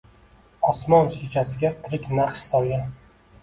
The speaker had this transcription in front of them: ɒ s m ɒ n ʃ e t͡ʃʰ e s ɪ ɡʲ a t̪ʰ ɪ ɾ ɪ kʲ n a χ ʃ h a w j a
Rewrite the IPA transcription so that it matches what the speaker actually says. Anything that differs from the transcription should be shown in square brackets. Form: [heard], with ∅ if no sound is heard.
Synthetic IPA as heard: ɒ s m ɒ n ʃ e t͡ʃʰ [a] s ɪ ɡʲ a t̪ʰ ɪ ɾ ɪ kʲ n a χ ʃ [s] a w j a